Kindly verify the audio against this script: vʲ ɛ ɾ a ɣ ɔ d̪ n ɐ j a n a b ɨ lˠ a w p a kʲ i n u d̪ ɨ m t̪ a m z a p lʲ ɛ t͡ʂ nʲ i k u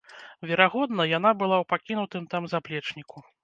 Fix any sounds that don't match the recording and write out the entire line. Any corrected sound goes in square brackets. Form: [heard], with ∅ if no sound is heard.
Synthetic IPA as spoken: vʲ ɛ ɾ a ɣ ɔ d̪ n ɐ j a n a b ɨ lˠ a w p a kʲ i n u [t̪] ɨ m t̪ a m z a p lʲ ɛ t͡ʂ nʲ i k u